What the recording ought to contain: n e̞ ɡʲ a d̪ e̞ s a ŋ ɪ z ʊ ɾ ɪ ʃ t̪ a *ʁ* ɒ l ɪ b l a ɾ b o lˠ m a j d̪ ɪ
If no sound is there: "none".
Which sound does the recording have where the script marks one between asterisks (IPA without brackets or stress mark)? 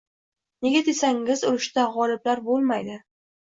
ʁ